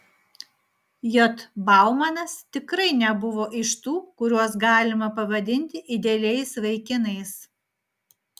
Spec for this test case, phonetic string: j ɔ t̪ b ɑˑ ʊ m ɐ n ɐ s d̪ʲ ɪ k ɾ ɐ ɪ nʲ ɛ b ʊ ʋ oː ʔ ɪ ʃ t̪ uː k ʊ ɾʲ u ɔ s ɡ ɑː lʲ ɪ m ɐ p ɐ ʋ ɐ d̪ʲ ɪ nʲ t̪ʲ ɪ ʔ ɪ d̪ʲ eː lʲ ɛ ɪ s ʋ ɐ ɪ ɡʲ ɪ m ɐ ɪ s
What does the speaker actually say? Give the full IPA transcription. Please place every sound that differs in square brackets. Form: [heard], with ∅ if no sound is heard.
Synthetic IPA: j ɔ t̪ b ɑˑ ʊ m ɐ n ɐ s [t̪ʲ] ɪ k ɾ ɐ ɪ nʲ ɛ b ʊ ʋ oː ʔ ɪ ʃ t̪ uː k ʊ ɾʲ u ɔ s ɡ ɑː lʲ ɪ m ɐ p ɐ ʋ ɐ d̪ʲ ɪ nʲ t̪ʲ ɪ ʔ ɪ d̪ʲ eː lʲ ɛ ɪ s ʋ ɐ ɪ [kʲ] ɪ [n] ɐ ɪ s